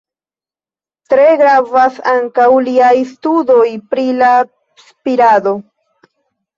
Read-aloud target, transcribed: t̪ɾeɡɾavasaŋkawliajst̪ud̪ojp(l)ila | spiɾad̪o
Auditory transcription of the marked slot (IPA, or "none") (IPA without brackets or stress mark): ɾ